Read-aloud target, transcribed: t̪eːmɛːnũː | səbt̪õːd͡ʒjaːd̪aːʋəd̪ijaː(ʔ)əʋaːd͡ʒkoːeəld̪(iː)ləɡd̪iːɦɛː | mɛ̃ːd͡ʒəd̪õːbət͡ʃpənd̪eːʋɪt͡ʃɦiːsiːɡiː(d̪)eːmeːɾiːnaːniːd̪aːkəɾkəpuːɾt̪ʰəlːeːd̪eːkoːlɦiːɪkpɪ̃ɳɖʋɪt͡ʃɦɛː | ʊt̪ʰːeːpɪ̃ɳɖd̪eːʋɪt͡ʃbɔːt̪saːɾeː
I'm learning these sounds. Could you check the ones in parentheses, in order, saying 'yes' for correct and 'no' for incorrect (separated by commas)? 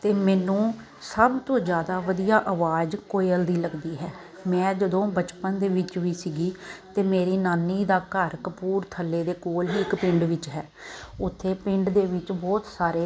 yes, yes, no